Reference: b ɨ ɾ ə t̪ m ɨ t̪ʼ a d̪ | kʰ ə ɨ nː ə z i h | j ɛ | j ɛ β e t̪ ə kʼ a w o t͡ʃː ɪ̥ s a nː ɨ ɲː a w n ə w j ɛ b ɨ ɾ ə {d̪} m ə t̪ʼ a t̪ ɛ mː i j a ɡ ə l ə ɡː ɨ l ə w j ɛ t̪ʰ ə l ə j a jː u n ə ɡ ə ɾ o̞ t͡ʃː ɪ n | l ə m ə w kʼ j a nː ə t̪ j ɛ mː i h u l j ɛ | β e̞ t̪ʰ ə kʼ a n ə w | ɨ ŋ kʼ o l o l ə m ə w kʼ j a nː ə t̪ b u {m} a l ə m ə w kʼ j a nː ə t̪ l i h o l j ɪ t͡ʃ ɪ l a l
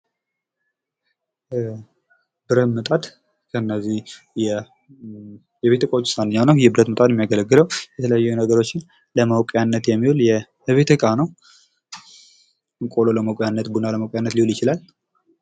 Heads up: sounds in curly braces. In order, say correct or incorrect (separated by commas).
incorrect, incorrect